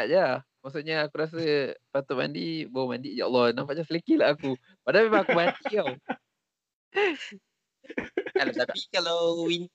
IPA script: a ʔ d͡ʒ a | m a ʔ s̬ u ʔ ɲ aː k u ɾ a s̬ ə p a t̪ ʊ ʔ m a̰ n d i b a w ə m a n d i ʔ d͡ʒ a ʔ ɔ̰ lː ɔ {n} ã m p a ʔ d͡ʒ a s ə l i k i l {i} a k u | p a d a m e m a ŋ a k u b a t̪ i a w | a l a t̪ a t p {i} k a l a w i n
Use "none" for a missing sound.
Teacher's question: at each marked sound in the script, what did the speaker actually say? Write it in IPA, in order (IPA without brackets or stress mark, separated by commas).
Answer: n, a, i